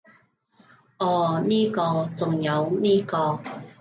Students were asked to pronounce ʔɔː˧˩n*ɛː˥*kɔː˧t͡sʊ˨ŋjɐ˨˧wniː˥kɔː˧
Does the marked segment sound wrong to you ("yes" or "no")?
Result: yes